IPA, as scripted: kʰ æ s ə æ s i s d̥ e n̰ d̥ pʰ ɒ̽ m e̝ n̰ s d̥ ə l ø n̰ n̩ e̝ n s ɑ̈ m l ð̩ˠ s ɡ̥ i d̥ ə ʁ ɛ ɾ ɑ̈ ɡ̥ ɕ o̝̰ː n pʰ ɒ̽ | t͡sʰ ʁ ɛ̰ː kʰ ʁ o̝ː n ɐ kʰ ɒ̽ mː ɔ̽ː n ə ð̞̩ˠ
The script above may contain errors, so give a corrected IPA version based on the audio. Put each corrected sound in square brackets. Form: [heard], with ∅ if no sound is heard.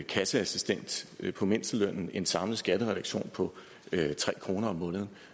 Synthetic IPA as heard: kʰ æ s ə æ s i s d̥ e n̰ d̥ pʰ ɒ̽ m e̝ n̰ s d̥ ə l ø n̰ n̩ e̝ n s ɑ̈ m l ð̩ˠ s ɡ̥ [æ] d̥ ə ʁ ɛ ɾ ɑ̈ ɡ̥ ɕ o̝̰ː n pʰ ɒ̽ | t͡sʰ ʁ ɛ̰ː kʰ ʁ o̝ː n ɐ [∅] ɒ̽ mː ɔ̽ː n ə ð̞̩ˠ